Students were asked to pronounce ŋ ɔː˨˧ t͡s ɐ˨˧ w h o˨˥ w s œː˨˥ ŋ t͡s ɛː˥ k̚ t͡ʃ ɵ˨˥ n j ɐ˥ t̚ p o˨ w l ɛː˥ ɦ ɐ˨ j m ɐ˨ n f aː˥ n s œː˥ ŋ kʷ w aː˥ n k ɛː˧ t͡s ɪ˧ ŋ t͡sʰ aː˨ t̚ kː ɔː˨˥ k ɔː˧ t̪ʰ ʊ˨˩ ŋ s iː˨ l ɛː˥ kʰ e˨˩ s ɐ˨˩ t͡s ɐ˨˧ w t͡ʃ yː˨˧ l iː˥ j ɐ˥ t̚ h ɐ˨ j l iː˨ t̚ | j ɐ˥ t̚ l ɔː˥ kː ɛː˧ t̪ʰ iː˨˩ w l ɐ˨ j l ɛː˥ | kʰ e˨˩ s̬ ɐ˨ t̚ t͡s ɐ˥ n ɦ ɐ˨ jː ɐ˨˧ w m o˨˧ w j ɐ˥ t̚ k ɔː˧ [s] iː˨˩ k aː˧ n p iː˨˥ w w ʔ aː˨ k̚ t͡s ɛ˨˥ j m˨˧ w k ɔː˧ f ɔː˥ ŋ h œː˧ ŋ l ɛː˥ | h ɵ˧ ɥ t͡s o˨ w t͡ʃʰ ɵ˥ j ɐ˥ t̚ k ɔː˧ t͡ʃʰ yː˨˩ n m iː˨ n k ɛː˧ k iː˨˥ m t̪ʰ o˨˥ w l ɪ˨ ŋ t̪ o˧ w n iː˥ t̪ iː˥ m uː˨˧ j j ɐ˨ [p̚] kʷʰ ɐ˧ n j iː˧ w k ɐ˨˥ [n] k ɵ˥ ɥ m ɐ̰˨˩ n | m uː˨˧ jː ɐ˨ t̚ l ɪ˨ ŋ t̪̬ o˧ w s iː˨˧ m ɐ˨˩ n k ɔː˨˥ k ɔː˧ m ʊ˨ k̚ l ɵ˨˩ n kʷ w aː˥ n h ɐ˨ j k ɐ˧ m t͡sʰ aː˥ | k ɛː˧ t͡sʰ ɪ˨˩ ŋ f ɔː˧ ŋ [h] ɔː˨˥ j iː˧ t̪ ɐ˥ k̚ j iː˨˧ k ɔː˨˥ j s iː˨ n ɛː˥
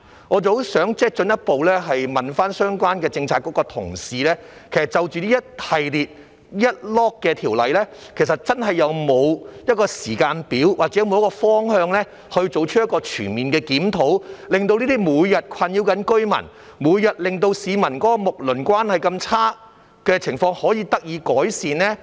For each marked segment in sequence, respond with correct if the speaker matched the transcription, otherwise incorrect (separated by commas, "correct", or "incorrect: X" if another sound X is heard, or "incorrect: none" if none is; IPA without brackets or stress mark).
correct, incorrect: t̚, correct, correct